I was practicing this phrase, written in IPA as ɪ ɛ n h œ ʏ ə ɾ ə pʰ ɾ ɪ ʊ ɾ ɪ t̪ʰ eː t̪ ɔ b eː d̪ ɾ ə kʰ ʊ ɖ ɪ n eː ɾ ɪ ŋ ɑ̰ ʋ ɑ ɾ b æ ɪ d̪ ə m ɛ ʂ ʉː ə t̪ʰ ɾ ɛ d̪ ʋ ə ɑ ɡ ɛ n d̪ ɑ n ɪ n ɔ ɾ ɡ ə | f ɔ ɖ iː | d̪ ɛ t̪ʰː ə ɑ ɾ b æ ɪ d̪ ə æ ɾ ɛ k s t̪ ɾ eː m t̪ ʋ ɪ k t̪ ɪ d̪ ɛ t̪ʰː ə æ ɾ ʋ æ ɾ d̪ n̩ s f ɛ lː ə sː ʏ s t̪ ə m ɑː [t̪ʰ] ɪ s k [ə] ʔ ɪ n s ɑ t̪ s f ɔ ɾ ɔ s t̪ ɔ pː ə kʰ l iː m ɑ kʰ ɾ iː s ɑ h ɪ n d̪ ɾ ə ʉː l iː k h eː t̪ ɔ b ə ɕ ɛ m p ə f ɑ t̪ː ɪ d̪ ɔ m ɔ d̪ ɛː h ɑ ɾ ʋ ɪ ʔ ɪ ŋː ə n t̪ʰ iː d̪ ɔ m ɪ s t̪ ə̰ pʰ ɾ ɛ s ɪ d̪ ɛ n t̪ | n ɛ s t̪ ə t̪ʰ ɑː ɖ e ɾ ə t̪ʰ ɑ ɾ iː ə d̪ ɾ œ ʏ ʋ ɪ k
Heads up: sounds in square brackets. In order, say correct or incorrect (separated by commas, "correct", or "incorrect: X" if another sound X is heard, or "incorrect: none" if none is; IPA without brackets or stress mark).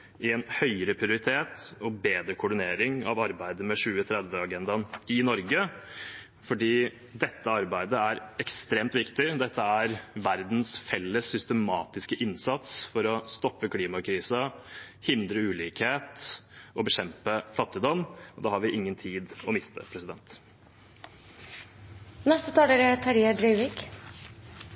incorrect: t̪, correct